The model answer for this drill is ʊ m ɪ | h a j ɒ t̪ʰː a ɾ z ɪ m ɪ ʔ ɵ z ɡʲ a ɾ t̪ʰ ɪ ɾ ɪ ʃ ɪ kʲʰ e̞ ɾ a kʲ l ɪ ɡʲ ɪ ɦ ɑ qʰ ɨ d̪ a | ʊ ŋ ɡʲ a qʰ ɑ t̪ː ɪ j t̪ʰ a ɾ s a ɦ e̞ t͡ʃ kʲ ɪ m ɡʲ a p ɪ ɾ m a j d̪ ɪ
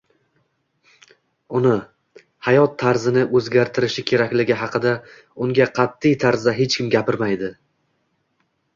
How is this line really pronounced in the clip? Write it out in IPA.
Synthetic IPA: ʊ n ɪ | h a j ɒ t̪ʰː a ɾ z ɪ n ɪ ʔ ɵ z ɡʲ a ɾ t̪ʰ ɪ ɾ ɪ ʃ ɪ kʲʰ e̞ ɾ a kʲ l ɪ ɡʲ ɪ ɦ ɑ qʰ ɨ d̪ a | ʊ ŋ ɡʲ a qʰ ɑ t̪ː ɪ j t̪ʰ a ɾ z a ɦ e̞ t͡ʃ kʲ ɪ m ɡʲ a p ɪ ɾ m a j d̪ ɪ